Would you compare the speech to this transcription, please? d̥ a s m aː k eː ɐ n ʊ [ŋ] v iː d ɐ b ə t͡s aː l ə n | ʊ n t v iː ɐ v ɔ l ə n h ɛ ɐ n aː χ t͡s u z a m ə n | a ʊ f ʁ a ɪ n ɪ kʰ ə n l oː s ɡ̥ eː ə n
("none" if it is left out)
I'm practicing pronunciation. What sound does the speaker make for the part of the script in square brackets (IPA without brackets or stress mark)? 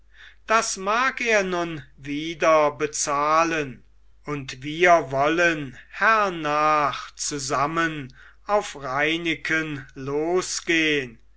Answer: n